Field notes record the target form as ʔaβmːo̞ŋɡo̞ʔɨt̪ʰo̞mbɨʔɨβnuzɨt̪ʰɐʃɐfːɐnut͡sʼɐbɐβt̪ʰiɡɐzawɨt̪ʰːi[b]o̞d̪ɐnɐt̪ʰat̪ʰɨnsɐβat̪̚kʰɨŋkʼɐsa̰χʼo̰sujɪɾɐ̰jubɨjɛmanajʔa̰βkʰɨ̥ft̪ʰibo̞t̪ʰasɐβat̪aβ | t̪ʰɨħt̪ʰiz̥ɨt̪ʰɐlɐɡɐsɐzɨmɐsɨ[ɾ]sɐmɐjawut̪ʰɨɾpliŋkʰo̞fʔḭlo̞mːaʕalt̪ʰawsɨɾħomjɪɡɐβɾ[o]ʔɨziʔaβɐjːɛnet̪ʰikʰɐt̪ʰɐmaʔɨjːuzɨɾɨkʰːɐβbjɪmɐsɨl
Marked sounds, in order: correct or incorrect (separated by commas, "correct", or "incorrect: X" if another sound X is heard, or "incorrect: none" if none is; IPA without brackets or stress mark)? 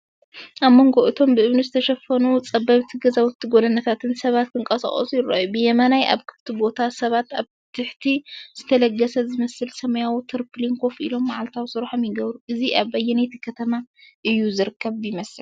incorrect: ɡ, incorrect: l, incorrect: u